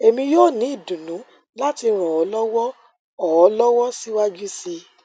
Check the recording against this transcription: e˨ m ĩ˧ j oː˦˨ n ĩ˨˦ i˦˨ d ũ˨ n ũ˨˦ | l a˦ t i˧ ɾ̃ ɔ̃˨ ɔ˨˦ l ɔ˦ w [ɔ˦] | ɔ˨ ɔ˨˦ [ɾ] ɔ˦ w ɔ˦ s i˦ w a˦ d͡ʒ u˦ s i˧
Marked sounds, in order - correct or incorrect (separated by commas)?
correct, incorrect